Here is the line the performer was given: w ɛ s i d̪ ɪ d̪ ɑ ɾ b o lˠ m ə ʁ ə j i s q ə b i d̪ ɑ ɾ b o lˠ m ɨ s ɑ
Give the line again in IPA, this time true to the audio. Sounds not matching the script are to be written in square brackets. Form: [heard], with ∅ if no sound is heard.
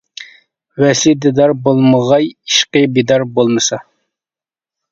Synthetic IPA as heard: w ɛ s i d̪ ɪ d̪ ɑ ɾ b o lˠ m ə ʁ [ɑ] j i [ʃ] q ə b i d̪ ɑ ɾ b o lˠ m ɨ s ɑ